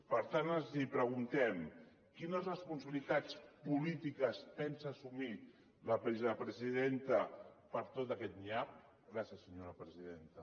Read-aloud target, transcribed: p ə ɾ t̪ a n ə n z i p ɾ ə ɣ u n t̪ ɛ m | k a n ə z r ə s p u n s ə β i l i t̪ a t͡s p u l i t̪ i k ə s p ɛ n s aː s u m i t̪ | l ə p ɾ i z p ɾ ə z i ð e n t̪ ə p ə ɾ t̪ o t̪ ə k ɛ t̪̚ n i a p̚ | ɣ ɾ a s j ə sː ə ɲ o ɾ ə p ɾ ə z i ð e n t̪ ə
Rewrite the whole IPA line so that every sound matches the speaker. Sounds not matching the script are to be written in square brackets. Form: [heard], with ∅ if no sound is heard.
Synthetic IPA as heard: p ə ɾ t̪ a n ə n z i p ɾ ə ɣ u n t̪ ɛ m | k [i] n ə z r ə s p u n s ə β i l i t̪ a t͡s p u l i t̪ i k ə s p ɛ n s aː s u m i [∅] | l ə p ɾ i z p ɾ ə z i ð e n t̪ ə p ə ɾ t̪ o t̪ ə k ɛ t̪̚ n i a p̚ | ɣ ɾ a s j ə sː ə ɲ o ɾ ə p ɾ ə z i ð e n t̪ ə